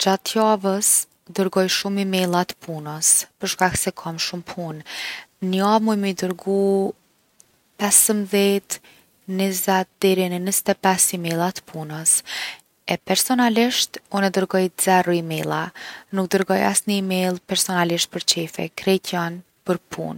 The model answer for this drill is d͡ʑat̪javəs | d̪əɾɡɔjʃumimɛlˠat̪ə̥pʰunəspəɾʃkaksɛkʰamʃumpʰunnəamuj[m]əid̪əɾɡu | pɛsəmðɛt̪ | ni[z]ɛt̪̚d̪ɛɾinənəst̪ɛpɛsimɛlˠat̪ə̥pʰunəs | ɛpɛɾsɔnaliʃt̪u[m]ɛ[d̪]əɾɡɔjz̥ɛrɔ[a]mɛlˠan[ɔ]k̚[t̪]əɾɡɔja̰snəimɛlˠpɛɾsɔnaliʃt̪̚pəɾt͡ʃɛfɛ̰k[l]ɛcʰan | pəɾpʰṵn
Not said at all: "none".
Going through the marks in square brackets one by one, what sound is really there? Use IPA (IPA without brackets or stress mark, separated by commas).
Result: m, z, n, d̪, i, u, d̪, ɾ